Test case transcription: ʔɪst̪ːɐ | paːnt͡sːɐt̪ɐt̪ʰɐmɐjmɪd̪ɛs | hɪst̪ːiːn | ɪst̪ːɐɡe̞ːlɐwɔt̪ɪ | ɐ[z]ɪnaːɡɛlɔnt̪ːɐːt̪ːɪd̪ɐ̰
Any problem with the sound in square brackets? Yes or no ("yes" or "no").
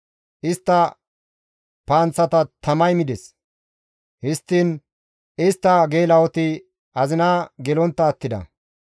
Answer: no